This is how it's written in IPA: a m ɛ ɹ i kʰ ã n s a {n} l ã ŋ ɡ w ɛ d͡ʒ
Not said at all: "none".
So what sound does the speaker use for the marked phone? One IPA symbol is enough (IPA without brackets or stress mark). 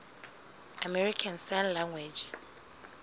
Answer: n